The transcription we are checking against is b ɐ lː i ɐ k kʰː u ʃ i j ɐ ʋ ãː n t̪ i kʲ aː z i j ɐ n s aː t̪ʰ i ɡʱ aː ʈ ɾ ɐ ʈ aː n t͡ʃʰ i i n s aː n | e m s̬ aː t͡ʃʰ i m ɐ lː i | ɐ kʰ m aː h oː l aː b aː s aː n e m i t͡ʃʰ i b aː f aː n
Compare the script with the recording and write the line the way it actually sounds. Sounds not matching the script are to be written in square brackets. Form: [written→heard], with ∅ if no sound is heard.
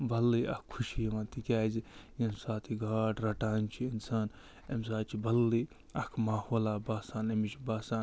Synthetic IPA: b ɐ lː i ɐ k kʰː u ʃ i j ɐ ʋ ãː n t̪ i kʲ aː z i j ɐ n s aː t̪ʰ i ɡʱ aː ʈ ɾ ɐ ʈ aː n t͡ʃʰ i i n s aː n | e m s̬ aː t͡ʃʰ i [m→b] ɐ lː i | ɐ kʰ m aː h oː l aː b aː s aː n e m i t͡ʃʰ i b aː [f→s] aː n